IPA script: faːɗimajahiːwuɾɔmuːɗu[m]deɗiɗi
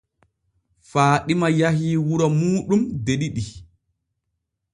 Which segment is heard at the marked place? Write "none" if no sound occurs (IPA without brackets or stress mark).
m